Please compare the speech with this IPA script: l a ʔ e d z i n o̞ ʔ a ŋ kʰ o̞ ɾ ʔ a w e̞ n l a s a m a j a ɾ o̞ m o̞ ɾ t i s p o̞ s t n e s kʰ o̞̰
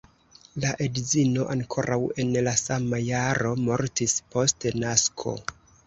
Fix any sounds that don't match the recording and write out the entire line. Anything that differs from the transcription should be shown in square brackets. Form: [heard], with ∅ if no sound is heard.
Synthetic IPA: l a ʔ e d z i n o̞ ʔ a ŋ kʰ o̞ ɾ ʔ a w e̞ n l a s a m a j a ɾ o̞ m o̞ ɾ t i s p o̞ s t n [a] s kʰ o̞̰